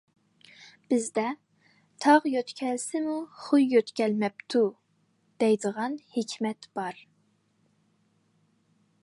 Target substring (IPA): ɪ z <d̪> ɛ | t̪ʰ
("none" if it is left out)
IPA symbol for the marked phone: d̪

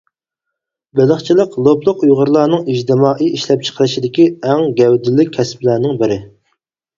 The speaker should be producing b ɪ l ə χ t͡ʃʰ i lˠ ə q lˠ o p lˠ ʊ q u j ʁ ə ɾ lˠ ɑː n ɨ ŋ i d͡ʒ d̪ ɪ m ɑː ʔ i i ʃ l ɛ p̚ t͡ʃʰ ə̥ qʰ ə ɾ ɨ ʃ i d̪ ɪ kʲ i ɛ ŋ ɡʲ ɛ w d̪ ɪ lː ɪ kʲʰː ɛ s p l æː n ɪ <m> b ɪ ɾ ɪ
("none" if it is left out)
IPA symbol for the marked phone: ŋ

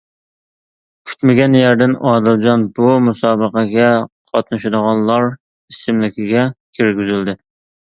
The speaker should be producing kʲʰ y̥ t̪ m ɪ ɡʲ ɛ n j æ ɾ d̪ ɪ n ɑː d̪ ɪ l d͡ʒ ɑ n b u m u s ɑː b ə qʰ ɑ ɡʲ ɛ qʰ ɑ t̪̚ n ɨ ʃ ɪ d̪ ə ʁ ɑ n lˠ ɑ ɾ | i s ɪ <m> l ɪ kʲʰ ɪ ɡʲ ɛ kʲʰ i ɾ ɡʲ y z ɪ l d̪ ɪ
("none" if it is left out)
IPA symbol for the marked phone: m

